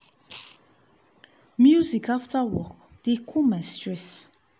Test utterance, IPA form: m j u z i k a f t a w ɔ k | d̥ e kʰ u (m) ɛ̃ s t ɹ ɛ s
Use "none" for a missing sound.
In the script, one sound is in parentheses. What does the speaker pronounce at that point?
m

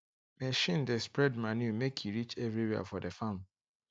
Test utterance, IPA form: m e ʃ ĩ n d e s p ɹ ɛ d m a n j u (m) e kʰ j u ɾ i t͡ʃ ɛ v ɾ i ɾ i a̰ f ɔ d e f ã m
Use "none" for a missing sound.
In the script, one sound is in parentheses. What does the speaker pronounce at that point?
m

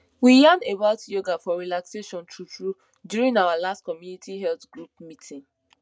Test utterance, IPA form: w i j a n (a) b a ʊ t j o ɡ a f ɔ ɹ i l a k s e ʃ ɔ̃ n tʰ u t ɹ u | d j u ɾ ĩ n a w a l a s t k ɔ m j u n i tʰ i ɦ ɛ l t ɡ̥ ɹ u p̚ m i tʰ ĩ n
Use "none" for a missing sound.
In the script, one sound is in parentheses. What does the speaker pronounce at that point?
e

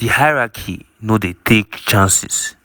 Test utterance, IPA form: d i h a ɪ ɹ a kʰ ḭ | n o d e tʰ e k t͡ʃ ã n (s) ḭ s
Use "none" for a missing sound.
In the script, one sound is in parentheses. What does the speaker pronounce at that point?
s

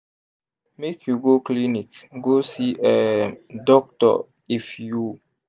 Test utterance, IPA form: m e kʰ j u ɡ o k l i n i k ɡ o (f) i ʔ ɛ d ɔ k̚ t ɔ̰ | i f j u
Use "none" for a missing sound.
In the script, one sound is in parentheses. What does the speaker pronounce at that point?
s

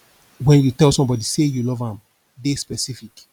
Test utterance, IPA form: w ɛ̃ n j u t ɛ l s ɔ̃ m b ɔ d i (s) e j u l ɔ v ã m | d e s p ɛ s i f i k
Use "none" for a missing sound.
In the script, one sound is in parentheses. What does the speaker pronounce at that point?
s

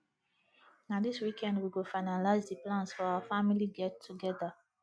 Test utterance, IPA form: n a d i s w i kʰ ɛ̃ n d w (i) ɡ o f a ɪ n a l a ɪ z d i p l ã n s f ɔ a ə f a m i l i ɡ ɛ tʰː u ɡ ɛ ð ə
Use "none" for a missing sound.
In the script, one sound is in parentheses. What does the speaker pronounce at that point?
i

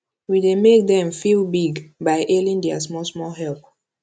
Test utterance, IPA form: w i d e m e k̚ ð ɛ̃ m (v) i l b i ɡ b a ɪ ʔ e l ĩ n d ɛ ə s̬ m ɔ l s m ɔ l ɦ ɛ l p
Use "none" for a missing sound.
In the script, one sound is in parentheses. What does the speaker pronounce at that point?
f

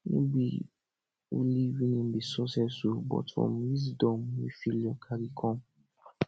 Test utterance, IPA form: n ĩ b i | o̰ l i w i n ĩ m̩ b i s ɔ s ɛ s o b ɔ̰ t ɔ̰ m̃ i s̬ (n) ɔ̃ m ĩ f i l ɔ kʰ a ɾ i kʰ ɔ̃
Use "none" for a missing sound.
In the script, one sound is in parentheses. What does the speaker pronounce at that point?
d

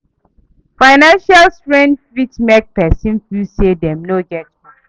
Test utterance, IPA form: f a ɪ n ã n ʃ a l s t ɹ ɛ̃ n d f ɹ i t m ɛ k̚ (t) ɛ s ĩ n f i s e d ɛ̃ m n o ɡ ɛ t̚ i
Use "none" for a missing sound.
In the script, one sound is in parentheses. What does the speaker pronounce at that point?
p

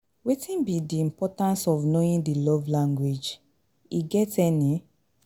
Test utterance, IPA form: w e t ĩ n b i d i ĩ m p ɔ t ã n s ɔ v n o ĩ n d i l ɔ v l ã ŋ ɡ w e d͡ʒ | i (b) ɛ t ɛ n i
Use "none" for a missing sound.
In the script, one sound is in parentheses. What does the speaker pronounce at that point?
ɡ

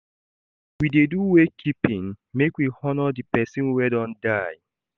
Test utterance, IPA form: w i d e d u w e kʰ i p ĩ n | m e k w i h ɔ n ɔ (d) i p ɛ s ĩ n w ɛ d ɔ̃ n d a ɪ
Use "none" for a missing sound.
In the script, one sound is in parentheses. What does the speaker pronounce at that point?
d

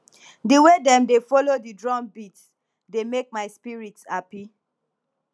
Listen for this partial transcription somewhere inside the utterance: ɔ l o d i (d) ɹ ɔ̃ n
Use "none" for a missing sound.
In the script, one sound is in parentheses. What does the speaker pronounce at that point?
d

